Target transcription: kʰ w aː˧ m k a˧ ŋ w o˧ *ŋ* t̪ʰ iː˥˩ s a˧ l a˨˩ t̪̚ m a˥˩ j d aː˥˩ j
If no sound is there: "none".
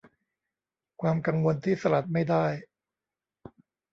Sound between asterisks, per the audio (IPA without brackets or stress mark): n